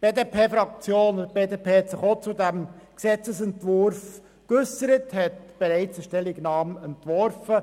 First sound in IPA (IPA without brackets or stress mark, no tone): b̥